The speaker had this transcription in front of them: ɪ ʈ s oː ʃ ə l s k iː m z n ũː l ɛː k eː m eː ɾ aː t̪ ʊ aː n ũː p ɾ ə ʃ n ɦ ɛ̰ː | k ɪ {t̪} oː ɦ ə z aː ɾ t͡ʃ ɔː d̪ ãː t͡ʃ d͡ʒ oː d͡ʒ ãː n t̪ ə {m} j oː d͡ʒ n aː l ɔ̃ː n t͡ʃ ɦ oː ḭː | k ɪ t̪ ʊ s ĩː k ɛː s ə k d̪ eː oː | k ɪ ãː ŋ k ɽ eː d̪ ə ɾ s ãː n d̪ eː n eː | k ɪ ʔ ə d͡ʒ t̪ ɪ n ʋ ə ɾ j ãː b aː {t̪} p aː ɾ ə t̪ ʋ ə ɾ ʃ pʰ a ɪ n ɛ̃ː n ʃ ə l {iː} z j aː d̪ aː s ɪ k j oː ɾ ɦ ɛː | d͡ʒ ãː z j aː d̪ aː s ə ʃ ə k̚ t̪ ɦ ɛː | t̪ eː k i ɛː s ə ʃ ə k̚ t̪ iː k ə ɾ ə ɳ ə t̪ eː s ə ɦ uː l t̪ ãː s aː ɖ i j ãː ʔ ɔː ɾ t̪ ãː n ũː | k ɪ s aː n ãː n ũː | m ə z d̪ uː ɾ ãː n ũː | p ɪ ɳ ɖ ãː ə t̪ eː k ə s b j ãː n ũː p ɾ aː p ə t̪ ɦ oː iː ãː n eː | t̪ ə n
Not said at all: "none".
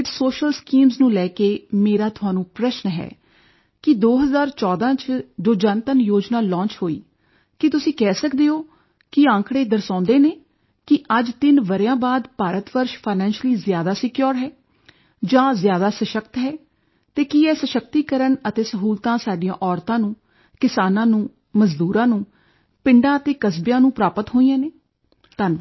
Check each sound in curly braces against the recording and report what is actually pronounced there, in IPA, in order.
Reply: d̪, n, d̪, iː

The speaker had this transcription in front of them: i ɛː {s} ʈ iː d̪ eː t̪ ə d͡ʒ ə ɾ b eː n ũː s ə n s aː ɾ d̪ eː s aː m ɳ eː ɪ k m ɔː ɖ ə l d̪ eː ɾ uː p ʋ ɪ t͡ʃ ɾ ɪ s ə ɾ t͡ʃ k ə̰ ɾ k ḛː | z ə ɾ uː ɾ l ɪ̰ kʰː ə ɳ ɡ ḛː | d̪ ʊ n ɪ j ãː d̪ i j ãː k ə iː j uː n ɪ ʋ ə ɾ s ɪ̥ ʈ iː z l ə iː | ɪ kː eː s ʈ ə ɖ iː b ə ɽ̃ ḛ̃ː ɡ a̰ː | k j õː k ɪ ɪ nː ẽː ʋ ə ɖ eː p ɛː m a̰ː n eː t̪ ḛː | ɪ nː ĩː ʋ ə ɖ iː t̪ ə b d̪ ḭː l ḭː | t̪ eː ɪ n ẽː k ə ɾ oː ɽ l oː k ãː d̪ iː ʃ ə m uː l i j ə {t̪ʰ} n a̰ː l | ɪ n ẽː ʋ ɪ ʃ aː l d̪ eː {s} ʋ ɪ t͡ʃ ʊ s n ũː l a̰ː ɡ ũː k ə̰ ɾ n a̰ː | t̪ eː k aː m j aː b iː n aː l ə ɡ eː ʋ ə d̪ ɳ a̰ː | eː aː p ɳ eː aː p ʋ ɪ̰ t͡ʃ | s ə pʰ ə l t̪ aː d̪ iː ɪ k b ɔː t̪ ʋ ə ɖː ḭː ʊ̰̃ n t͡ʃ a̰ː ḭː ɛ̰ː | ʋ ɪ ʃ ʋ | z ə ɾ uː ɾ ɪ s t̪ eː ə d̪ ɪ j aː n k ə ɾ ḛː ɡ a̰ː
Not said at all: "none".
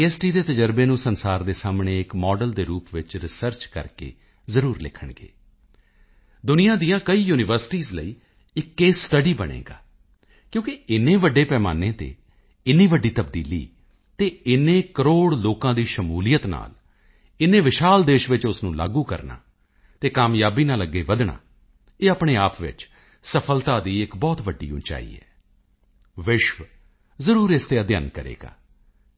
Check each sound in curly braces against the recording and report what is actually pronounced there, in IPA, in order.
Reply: s, t̪, ʃ

